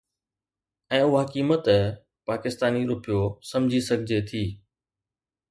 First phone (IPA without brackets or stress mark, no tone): ɛ̃ː